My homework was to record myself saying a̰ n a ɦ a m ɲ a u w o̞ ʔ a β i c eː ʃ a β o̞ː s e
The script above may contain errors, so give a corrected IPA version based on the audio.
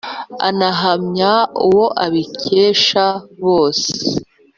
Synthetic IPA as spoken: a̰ n a ɦ a m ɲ a u w o̞ ʔ a β i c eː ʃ a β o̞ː s e